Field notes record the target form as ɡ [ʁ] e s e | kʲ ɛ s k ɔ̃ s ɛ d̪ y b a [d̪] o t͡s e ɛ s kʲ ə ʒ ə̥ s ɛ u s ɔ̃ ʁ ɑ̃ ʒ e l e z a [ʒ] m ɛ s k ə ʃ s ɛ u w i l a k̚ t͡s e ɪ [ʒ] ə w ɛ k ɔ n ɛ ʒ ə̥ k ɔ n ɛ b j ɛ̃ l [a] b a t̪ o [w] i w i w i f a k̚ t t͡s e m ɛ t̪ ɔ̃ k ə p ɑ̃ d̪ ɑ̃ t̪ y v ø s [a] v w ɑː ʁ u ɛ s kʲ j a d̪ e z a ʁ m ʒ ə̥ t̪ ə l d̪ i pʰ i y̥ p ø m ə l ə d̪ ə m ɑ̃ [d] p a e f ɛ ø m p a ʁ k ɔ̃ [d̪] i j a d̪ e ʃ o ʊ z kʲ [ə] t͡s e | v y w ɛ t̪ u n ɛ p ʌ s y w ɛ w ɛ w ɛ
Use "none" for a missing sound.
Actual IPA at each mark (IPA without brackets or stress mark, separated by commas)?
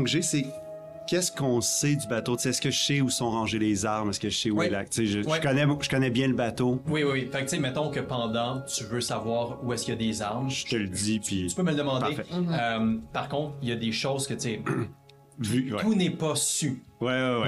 ʒ, t̪, ʁ, ʒ, ə, w, a, d, t̪, ə